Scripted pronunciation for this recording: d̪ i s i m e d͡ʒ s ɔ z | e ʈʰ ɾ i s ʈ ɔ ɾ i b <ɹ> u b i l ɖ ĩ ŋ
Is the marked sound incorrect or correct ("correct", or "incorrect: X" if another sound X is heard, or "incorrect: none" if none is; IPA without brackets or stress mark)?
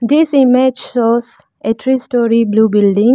incorrect: l